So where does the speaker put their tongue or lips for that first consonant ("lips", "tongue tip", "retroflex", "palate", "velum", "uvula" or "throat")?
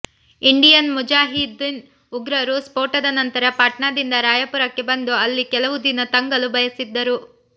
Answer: retroflex